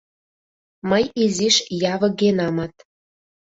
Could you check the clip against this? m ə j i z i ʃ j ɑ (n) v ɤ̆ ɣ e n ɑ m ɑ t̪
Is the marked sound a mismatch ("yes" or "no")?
yes